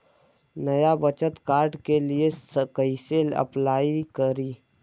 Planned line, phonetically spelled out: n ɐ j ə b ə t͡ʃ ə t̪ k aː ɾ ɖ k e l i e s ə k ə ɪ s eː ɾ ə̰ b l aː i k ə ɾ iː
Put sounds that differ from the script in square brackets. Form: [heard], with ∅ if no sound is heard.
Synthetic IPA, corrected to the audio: n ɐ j [a] b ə t͡ʃ ə t̪ k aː ɾ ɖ k e l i e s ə k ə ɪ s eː [l] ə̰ [p] l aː i k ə ɾ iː